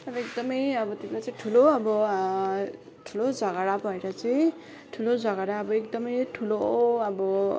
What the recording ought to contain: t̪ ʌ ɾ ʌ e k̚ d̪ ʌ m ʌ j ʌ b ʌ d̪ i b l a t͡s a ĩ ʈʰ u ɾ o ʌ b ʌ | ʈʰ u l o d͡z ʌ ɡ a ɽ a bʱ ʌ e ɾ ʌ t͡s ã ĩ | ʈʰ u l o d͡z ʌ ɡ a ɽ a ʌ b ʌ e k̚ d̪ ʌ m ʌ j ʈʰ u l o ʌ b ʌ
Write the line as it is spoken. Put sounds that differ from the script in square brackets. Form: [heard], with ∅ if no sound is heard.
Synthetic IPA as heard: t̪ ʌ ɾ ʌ e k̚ d̪ ʌ m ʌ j ʌ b ʌ [t̪] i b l a t͡s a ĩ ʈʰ u [l] o ʌ b ʌ | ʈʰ u l o d͡z ʌ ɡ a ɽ a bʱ ʌ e ɾ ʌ t͡s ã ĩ | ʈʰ u l o d͡z ʌ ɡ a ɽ a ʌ b ʌ e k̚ d̪ ʌ m ʌ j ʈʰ u l o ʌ b ʌ

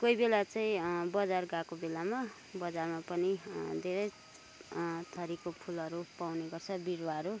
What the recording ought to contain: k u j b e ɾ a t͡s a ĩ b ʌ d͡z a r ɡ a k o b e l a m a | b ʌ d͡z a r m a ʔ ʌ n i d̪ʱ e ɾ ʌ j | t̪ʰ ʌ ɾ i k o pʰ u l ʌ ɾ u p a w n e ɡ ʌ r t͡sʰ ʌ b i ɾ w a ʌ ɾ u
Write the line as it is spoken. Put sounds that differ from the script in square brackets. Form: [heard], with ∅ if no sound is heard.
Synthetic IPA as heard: k [o] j b e [l] a t͡s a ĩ b ʌ d͡z a r ɡ a k o b e l a m a | b ʌ d͡z a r m a [p] ʌ n i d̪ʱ e ɾ ʌ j | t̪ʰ ʌ ɾ i k o pʰ u l ʌ ɾ u p a w n e ɡ ʌ r t͡sʰ ʌ b i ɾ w a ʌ ɾ u

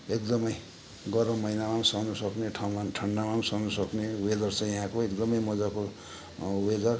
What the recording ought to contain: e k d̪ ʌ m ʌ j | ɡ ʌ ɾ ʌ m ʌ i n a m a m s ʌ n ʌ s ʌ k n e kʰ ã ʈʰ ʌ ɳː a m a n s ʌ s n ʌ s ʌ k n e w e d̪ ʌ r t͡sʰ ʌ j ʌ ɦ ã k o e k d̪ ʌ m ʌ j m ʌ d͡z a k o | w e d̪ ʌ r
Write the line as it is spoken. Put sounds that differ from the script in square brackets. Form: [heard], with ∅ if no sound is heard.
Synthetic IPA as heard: e k d̪ ʌ m ʌ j | ɡ ʌ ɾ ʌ m ʌ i n a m a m s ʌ n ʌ s ʌ k n e [ʈʰ] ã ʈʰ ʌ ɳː a m a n s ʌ [∅] n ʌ s ʌ k n e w e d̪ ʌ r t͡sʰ ʌ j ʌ ɦ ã k o e k d̪ ʌ m ʌ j m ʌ d͡z a k o | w e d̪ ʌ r

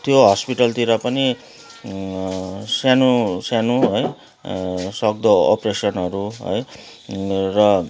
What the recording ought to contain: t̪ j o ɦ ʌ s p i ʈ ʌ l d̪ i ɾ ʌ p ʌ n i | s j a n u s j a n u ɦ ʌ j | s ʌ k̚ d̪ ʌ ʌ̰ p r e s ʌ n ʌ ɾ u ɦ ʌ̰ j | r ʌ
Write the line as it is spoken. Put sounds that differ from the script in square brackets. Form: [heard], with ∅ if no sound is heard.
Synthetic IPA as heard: t̪ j o ɦ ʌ s p i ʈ ʌ l [t̪] i ɾ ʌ p ʌ n i | s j a n u s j a n u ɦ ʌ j | s ʌ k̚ d̪ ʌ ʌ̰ p r e s ʌ n ʌ ɾ u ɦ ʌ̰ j | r ʌ

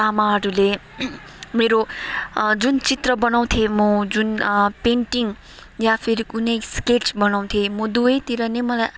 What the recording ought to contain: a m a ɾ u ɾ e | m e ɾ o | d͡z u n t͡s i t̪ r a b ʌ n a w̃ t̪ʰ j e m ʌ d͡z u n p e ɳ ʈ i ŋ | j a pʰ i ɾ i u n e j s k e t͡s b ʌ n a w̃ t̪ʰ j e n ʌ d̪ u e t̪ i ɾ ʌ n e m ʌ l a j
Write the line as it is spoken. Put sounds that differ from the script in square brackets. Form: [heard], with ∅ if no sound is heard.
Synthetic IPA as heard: a m a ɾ u [l] e | m e ɾ o | d͡z u n t͡s i t̪ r [ʌ] b ʌ n a w̃ t̪ʰ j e m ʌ d͡z u n p e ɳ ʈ i ŋ | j a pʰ i ɾ i u n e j s k e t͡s b ʌ n a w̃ t̪ʰ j e [m] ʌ d̪ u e t̪ i ɾ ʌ n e m ʌ l a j

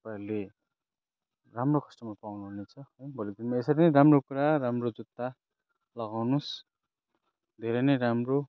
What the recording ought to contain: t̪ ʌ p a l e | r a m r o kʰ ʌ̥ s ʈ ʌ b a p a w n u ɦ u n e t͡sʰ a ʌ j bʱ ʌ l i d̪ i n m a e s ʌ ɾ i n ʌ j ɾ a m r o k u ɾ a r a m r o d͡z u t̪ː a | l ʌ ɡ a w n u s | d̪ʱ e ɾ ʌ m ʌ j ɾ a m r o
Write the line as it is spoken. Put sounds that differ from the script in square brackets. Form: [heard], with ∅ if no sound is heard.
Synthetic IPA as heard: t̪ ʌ p a l e | r a m r o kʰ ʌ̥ s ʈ ʌ [m] a p a w n u ɦ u n e t͡sʰ [ʌ] ʌ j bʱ ʌ l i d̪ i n m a e s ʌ ɾ i n ʌ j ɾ a m r o k u ɾ a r a m r o d͡z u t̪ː a | l ʌ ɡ a w n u s | d̪ʱ e ɾ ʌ [n] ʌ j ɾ a m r o

